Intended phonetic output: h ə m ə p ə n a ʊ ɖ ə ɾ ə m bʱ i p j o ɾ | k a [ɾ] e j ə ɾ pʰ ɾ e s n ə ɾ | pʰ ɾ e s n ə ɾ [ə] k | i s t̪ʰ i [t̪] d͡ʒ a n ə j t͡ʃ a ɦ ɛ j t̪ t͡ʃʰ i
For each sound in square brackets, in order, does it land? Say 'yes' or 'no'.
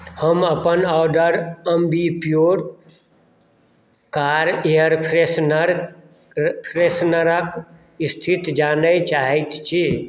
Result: yes, yes, yes

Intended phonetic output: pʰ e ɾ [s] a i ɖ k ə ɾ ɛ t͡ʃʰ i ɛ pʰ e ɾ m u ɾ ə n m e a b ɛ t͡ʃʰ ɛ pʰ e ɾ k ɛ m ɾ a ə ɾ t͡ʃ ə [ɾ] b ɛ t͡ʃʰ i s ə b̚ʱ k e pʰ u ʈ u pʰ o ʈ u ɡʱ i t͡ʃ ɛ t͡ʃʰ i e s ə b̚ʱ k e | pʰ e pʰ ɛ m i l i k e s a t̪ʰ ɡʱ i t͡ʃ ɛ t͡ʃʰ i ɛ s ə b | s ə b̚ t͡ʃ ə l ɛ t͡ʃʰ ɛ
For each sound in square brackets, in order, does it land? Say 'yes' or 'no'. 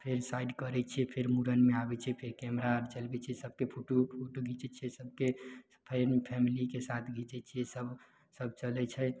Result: yes, no

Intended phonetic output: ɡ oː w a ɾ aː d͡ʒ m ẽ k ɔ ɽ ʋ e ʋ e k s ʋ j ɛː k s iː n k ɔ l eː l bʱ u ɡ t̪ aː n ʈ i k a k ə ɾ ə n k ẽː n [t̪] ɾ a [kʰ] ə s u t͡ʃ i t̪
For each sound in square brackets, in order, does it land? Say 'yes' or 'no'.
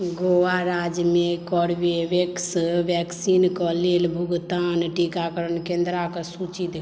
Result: no, no

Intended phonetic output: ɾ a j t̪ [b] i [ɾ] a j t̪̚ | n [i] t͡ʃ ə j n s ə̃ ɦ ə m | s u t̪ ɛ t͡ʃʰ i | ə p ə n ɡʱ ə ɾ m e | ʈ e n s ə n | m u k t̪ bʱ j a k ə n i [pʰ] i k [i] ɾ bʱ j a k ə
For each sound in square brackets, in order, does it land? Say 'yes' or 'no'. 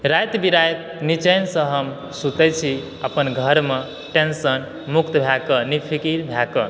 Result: yes, yes, yes, yes, yes

